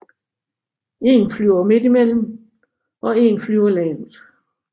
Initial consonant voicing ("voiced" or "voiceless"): voiced